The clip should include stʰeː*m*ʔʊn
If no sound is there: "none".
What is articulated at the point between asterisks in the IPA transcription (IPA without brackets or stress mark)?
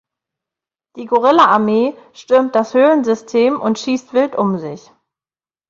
m